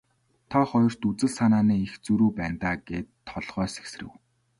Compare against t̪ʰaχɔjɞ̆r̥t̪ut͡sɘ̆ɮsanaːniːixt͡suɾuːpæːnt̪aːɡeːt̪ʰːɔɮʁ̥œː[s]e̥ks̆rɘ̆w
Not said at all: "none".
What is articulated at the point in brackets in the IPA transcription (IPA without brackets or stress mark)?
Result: s